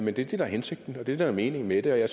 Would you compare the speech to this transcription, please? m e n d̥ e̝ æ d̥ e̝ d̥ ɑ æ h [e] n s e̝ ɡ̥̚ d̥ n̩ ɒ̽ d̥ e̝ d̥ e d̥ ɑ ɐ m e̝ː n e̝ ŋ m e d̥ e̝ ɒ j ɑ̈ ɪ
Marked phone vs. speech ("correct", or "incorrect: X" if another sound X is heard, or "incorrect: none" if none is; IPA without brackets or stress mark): correct